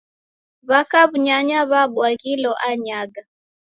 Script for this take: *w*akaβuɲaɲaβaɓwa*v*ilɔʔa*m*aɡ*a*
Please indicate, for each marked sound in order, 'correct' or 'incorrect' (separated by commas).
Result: incorrect, incorrect, incorrect, correct